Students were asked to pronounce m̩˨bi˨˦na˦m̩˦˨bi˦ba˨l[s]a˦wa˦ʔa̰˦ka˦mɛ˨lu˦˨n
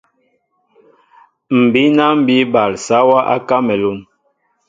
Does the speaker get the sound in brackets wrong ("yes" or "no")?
no